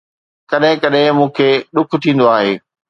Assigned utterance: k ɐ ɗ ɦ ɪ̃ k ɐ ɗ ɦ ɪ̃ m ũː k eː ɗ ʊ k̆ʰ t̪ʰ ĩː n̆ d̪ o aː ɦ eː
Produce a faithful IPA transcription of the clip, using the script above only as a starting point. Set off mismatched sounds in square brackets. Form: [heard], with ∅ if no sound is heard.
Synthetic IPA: k ɐ ɗ ɦ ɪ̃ k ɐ ɗ ɦ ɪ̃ m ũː [kʰ] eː ɗ ʊ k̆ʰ t̪ʰ ĩː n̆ d̪ o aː ɦ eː

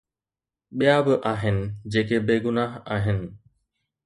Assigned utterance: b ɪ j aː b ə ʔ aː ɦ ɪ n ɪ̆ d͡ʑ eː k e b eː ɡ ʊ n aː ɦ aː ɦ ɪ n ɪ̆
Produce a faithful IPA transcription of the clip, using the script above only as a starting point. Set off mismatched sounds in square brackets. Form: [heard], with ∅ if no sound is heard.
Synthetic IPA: [ɓ] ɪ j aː b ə ʔ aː ɦ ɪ n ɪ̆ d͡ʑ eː k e b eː ɡ ʊ n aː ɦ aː ɦ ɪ n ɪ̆

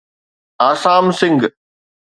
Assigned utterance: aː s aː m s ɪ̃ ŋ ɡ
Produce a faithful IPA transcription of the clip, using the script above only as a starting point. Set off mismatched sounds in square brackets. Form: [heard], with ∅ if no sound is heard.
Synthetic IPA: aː s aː m s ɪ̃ ŋ ɡ

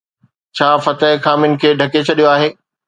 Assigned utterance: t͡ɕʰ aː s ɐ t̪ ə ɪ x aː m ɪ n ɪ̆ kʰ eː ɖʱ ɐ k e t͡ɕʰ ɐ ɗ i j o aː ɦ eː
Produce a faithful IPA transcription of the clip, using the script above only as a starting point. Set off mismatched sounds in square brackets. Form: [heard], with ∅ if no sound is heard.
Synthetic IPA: t͡ɕʰ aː [f] ɐ t̪ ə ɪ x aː m ɪ n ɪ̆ kʰ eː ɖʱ ɐ k e t͡ɕʰ ɐ ɗ i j o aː ɦ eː

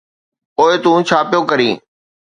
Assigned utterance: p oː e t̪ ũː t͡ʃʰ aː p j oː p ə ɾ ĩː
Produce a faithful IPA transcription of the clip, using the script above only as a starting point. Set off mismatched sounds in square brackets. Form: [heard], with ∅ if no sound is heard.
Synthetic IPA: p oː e t̪ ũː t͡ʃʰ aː p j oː [k] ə ɾ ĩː

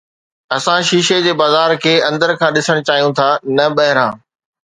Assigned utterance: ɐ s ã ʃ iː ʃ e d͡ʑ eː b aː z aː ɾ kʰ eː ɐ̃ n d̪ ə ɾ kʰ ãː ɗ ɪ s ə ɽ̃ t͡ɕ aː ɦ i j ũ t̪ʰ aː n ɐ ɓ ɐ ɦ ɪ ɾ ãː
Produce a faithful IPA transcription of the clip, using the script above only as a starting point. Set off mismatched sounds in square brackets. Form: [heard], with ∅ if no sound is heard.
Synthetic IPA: ɐ s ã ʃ iː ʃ e d͡ʑ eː b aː z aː ɾ kʰ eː ɐ̃ n d̪ ə ɾ kʰ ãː ɗ ɪ s ə ɽ̃ t͡ɕ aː ɦ i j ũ t̪ʰ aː n ɐ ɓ ɐ ɦ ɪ ɾ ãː

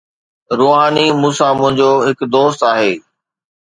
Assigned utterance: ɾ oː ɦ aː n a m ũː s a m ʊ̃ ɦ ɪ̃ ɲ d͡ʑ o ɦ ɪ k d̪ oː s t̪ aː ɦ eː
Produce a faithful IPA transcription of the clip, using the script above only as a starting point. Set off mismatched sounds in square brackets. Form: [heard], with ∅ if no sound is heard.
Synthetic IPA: ɾ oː ɦ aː n [i] m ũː s a m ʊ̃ ɦ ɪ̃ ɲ d͡ʑ o ɦ ɪ k d̪ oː s t̪ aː ɦ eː

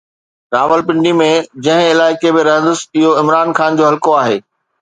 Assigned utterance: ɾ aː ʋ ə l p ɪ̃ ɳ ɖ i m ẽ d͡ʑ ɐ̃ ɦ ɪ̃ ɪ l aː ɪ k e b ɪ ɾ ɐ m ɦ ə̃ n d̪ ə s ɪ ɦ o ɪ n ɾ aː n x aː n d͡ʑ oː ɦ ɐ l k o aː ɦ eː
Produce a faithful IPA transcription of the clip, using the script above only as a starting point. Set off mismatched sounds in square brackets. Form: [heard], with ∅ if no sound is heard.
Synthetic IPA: ɾ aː ʋ ə l p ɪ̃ ɳ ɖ i m ẽ d͡ʑ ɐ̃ ɦ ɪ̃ ɪ l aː ɪ k e b ɪ ɾ ɐ [∅] ɦ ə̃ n d̪ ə s ɪ ɦ o ɪ [m] ɾ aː n x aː n d͡ʑ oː ɦ ɐ l k o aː ɦ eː

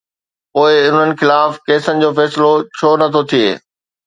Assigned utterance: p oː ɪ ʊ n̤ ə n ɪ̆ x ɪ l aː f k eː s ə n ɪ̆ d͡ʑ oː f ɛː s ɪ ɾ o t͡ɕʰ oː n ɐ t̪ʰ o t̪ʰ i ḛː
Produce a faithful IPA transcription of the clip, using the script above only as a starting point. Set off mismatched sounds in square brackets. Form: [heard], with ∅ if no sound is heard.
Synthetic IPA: p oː ɪ ʊ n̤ ə n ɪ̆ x ɪ l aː f k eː s ə n ɪ̆ d͡ʑ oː f ɛː s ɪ [l] o t͡ɕʰ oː n ɐ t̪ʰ o t̪ʰ i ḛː

